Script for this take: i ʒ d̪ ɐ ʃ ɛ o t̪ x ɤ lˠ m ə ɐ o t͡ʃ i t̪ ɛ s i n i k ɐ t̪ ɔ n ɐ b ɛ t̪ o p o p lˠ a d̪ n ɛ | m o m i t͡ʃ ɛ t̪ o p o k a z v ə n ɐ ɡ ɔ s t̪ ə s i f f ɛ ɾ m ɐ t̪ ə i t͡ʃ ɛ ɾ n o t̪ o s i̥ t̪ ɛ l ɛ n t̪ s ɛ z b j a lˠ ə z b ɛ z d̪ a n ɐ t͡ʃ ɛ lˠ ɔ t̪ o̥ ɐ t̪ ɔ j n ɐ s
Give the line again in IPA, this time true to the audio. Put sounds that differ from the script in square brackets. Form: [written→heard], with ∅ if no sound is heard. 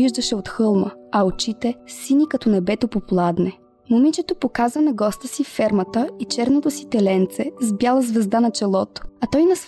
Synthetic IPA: i ʒ d̪ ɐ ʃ ɛ o t̪ x ɤ lˠ m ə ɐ o t͡ʃ i t̪ ɛ s i n i k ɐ t̪ ɔ n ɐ b ɛ t̪ o p o p lˠ a d̪ n ɛ | m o m i t͡ʃ ɛ t̪ o p o k a z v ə n ɐ ɡ ɔ s t̪ ə s i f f ɛ ɾ m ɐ t̪ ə i t͡ʃ ɛ ɾ n o t̪ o s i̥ t̪ ɛ l ɛ n t̪ s ɛ z b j a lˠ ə z [b→v] ɛ z d̪ a n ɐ t͡ʃ ɛ lˠ ɔ t̪ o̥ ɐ t̪ ɔ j n ɐ s